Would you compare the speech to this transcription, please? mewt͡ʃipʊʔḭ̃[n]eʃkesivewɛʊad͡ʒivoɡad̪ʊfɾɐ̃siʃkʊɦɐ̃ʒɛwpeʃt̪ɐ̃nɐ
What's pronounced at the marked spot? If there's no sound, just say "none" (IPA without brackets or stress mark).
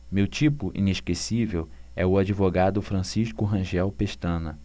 n